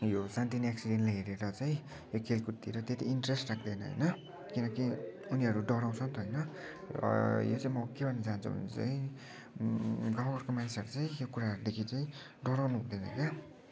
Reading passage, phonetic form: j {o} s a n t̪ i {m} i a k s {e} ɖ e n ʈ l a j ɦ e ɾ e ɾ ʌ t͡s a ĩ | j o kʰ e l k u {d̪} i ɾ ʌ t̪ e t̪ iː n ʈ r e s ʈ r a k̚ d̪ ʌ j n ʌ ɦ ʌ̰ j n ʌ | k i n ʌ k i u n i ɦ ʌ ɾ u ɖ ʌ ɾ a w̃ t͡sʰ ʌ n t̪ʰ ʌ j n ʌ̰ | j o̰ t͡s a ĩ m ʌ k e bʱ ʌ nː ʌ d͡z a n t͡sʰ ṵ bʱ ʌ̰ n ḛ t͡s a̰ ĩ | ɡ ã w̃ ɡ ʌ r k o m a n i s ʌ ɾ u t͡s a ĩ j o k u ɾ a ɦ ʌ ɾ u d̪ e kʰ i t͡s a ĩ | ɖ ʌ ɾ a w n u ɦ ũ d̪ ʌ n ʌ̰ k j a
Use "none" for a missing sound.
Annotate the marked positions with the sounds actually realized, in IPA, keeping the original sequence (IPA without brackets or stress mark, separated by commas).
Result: o, n, i, t̪